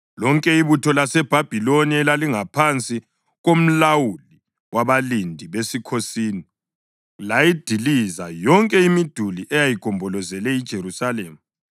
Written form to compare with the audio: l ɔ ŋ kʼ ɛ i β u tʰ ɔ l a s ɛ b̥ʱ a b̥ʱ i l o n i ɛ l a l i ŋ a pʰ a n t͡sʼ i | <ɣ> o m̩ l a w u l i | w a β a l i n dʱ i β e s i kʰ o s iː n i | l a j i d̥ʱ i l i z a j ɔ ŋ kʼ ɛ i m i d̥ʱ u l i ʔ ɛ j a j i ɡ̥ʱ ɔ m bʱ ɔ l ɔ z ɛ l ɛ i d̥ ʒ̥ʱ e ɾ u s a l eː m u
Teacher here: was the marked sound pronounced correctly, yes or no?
yes